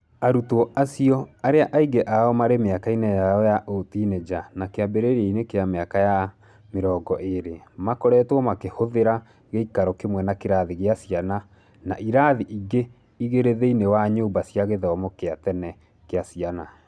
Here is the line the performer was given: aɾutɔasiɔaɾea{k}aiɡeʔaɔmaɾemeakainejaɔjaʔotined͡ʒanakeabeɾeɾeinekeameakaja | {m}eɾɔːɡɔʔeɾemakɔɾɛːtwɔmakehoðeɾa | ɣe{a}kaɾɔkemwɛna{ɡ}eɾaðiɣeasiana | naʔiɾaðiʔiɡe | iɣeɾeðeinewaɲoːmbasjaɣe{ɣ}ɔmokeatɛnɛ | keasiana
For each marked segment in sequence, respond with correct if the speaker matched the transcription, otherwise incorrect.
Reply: incorrect, correct, incorrect, incorrect, incorrect

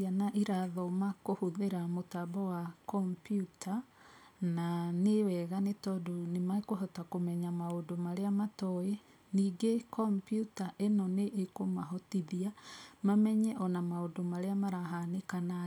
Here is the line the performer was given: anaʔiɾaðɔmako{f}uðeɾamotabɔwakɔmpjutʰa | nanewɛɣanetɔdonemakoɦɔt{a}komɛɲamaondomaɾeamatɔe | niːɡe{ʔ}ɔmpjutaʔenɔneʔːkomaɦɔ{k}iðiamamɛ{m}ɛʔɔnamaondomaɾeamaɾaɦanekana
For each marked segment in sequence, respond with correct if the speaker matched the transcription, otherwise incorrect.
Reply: incorrect, correct, incorrect, incorrect, incorrect

